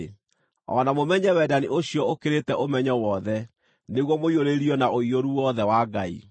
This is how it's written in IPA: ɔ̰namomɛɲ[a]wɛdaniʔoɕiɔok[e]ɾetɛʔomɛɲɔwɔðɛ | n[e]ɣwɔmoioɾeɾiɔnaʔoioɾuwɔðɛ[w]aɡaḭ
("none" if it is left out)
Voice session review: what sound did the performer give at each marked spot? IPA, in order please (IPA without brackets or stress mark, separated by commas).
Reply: ɛ, e, e, w